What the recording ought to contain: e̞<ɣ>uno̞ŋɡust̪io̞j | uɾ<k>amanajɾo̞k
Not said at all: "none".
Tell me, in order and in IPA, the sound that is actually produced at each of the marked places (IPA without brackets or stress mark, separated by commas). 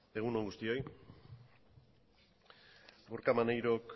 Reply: ɣ, k